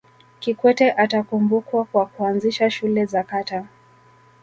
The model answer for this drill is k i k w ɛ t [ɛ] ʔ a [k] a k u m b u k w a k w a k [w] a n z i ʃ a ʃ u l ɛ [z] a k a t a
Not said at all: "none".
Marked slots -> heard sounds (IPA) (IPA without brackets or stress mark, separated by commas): ɛ, t, u, z